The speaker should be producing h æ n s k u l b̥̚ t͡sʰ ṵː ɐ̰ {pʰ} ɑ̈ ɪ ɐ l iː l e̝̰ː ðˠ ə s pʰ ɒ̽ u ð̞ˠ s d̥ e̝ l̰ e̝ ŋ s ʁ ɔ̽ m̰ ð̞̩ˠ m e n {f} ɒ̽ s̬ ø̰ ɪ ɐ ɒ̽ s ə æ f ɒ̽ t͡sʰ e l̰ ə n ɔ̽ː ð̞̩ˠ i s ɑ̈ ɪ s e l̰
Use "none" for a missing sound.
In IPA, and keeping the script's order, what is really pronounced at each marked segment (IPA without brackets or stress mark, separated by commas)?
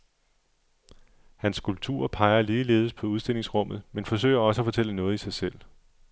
pʰ, f